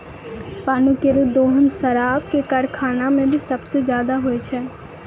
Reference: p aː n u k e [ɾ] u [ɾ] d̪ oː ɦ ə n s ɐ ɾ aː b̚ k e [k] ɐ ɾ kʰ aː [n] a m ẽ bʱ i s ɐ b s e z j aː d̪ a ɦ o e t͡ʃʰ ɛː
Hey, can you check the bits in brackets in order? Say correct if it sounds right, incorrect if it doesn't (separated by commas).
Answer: correct, incorrect, correct, correct